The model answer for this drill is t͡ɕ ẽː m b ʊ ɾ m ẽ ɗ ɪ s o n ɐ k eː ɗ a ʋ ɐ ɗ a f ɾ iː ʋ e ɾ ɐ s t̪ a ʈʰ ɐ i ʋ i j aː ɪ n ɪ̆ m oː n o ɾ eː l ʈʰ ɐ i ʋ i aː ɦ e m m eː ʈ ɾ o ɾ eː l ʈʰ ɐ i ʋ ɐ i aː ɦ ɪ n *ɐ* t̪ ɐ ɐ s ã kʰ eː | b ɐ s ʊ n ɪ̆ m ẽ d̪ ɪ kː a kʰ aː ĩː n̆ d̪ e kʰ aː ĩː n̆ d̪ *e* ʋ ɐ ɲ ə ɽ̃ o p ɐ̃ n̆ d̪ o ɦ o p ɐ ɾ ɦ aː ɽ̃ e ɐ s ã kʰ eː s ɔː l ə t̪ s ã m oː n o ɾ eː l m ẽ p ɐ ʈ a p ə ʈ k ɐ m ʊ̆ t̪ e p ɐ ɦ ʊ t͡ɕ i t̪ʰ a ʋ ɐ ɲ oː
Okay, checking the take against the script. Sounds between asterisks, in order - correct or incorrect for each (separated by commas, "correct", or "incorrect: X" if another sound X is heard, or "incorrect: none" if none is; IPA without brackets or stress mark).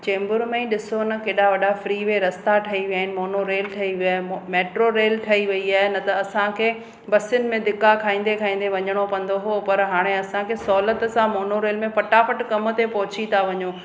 correct, correct